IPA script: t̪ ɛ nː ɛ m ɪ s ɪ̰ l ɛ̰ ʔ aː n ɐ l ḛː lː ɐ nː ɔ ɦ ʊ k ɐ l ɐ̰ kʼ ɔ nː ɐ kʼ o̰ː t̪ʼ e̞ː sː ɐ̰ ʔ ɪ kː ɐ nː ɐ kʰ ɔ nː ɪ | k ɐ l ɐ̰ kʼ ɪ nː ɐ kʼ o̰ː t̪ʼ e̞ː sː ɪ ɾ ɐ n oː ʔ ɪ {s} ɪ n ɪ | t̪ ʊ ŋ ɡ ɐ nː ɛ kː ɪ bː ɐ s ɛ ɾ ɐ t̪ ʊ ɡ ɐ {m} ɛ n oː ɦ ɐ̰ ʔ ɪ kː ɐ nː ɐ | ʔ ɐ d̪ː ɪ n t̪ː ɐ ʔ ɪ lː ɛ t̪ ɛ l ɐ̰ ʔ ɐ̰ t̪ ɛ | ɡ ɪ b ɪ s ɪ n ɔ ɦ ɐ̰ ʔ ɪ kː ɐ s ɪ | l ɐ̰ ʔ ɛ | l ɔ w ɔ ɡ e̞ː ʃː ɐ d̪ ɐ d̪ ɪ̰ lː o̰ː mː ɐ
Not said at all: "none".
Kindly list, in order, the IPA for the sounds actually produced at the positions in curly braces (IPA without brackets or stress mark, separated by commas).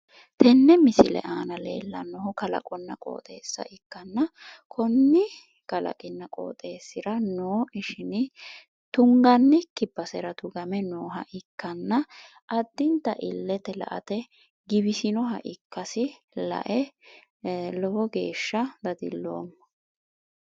ʃ, m